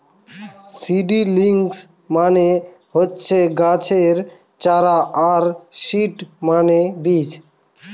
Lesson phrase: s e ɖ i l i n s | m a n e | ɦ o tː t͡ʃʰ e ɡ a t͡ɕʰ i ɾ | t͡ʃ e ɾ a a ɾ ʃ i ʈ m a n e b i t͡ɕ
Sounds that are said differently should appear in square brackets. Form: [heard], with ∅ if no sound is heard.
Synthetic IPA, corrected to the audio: s [i] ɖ i l i [ŋ] s | m a n e | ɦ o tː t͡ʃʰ e ɡ a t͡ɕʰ [e] ɾ | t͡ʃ [a] ɾ a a ɾ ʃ i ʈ m a n e b i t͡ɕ